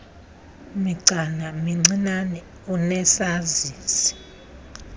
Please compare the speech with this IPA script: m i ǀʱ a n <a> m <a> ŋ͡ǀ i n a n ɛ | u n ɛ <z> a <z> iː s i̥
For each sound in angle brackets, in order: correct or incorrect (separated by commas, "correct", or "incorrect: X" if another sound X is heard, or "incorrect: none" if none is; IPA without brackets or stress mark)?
correct, incorrect: i, incorrect: s, correct